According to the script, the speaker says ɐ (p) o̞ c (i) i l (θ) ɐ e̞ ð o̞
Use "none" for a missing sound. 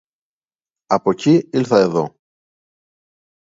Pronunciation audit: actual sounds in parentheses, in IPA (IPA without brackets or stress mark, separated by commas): p, i, θ